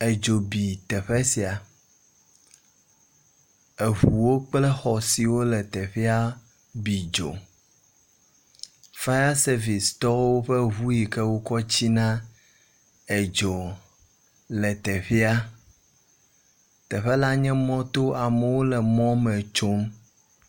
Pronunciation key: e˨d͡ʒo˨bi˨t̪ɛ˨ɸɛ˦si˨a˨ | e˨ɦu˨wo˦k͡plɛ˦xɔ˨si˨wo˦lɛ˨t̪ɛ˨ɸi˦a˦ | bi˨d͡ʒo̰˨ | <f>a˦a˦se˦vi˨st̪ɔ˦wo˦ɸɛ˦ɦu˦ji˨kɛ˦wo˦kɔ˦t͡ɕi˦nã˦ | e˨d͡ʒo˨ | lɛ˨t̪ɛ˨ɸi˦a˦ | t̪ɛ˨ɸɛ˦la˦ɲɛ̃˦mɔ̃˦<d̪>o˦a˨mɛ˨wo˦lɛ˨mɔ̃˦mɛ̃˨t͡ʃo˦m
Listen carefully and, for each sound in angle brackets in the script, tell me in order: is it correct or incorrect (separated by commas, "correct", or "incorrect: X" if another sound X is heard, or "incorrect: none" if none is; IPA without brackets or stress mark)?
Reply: correct, incorrect: t̪